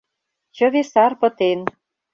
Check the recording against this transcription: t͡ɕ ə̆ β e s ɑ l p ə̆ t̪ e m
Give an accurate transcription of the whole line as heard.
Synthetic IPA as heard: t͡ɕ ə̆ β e s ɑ r p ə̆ t̪ e n